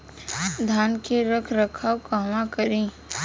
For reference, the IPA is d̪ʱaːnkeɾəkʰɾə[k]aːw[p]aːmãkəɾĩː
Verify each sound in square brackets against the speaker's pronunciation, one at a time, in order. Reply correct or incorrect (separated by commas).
incorrect, incorrect